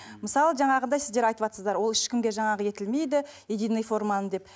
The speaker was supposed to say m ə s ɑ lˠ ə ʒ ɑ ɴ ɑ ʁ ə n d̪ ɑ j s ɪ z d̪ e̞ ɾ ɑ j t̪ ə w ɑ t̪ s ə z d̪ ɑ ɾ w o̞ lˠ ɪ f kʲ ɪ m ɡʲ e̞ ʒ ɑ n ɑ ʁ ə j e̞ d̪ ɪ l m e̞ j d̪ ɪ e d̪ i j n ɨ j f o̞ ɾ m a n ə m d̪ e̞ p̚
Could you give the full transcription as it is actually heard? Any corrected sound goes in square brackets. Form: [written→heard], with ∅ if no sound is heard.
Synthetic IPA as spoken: m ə s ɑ lˠ ə ʒ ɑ ɴ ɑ ʁ ə n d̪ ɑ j s ɪ z d̪ e̞ ɾ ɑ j t̪ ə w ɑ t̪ s ə z d̪ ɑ ɾ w o̞ lˠ ɪ [f→ʃ] kʲ ɪ m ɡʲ e̞ ʒ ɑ [n→ɴ] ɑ ʁ ə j e̞ [d̪→t̪] ɪ l m e̞ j d̪ ɪ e d̪ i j n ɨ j f o̞ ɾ m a n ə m d̪ e̞ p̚